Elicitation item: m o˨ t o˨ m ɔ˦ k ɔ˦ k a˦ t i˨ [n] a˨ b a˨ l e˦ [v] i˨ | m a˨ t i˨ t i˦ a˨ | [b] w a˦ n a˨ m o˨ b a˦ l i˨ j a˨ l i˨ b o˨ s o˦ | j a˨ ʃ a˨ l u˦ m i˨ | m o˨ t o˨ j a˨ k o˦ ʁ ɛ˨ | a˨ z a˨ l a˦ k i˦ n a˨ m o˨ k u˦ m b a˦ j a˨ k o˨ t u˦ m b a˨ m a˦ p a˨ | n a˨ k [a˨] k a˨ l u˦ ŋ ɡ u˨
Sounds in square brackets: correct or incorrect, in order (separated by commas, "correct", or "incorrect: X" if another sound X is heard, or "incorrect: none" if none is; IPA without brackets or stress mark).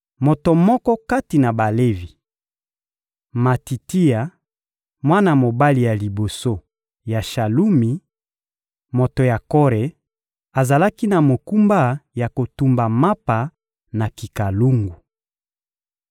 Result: correct, correct, incorrect: m, incorrect: i˨